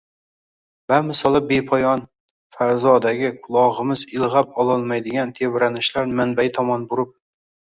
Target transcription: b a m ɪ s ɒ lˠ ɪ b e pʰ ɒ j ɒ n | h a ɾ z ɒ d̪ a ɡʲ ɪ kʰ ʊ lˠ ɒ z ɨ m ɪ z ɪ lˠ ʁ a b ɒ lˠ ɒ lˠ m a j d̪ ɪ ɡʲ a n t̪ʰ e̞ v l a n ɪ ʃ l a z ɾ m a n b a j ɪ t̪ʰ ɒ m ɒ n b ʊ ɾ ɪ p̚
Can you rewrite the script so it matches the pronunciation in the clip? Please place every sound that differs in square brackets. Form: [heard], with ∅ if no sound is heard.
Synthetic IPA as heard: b a m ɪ s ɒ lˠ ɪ b e pʰ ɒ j ɒ n | [f] a ɾ z ɒ d̪ a ɡʲ ɪ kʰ ʊ lˠ ɒ [ʁ] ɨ m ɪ z ɪ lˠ ʁ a [p] ɒ lˠ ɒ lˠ m a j d̪ ɪ ɡʲ a n t̪ʰ e̞ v [ɾ] a n ɪ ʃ l a [∅] ɾ m a n b a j ɪ t̪ʰ ɒ m ɒ n b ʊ ɾ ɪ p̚